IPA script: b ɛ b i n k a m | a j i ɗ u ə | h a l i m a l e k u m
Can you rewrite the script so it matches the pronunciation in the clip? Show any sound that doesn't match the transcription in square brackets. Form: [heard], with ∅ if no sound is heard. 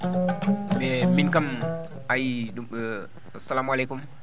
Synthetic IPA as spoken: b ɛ [m] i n k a m | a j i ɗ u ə | [s] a l [a] m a l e k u m